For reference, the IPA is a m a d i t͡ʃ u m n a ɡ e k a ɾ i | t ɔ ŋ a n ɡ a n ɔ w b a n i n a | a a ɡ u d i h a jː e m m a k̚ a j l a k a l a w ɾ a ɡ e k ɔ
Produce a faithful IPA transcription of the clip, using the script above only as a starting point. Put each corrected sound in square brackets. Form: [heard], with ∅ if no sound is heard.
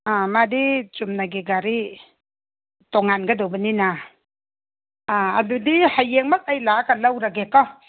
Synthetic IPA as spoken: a m a d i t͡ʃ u m n a ɡ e [ɡ] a ɾ i | t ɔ ŋ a n ɡ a [d] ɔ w b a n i n a | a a [d] u d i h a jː e [ŋ] m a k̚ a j l a k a l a w ɾ a ɡ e k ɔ